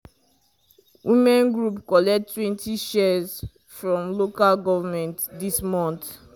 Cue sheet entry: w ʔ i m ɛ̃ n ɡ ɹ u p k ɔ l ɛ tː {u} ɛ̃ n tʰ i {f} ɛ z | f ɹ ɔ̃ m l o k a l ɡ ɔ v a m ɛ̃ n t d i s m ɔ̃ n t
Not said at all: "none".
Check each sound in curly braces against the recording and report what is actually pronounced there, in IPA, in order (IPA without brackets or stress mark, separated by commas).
w, ʃ